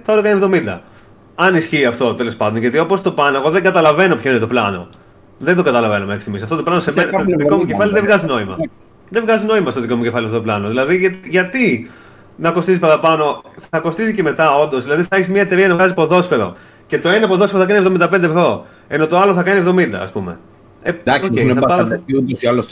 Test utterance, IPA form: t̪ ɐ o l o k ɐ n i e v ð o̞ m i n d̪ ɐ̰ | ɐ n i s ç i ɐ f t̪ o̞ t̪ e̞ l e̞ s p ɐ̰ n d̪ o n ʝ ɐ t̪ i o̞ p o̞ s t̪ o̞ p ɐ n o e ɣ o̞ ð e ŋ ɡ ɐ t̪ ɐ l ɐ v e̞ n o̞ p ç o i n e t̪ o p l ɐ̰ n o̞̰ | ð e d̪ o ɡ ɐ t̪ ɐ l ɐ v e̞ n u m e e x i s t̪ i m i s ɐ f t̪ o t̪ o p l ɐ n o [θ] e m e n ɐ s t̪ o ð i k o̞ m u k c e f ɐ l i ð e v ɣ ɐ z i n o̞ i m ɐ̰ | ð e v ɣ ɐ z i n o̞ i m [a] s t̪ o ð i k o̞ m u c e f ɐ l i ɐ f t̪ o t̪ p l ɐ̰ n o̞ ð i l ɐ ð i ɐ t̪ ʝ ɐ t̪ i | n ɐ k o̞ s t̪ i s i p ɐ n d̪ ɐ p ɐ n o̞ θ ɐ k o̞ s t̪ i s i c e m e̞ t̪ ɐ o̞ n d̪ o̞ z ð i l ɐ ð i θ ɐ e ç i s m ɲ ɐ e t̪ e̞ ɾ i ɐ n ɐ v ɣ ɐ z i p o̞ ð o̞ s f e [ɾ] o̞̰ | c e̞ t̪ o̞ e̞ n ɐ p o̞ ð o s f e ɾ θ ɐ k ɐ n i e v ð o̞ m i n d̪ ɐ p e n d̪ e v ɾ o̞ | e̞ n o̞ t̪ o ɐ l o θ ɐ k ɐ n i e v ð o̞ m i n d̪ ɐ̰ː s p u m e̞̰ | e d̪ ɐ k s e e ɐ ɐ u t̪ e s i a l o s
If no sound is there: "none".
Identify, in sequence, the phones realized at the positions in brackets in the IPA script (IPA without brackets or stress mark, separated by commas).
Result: s, ɐ, ɾ